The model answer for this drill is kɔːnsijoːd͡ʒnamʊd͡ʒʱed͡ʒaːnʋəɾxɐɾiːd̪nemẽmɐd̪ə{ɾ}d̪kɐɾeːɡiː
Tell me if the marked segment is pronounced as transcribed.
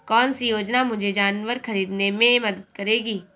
no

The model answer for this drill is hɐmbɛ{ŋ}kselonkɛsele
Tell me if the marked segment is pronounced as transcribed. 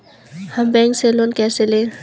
yes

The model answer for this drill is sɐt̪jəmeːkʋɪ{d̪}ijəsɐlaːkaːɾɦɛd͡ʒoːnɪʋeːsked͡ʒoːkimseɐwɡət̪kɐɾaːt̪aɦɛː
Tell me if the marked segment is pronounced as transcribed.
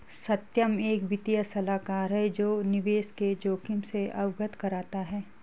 no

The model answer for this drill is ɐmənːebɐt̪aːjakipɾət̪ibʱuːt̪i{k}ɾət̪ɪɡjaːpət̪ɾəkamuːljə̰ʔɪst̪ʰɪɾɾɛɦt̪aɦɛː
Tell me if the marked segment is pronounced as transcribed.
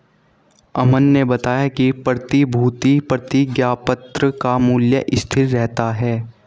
no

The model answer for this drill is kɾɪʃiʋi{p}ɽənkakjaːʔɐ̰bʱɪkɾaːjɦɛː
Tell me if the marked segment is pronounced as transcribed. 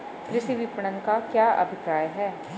yes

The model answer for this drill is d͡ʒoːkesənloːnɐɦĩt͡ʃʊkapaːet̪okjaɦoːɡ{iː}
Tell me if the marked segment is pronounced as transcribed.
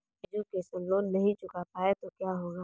no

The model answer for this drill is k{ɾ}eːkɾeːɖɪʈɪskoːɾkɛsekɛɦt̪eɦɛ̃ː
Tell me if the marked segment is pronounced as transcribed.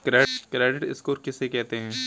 yes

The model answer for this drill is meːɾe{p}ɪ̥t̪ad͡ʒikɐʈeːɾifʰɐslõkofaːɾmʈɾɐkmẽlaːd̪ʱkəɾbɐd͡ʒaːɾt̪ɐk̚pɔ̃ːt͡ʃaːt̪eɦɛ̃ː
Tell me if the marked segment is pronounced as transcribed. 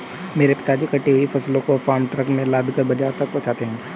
yes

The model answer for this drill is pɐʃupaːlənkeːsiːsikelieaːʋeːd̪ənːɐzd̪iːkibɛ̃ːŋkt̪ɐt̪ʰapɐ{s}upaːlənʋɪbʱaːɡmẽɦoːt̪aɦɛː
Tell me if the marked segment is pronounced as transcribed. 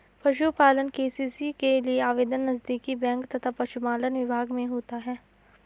no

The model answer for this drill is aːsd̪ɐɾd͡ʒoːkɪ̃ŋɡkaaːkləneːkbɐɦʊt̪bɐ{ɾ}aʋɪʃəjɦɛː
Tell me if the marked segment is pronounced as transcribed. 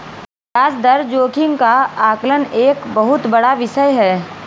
no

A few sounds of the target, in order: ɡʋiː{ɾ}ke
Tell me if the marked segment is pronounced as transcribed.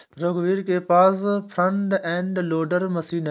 yes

